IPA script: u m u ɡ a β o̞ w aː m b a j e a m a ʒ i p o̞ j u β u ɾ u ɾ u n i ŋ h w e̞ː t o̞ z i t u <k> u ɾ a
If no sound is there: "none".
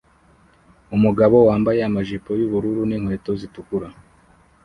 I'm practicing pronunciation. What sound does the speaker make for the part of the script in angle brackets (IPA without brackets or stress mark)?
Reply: k